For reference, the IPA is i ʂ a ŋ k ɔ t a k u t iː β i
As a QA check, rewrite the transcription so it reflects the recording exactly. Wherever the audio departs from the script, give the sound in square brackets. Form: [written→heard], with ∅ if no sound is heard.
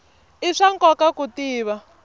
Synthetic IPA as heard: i ʂ a ŋ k ɔ [t→k] a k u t iː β [i→a]